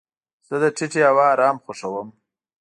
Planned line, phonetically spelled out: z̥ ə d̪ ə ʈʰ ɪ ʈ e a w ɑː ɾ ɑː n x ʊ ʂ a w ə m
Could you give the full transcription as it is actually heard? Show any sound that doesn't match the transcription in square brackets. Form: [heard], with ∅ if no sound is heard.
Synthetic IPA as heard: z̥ ə d̪ ə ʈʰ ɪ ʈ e a w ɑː ɾ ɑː [m] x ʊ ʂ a w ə m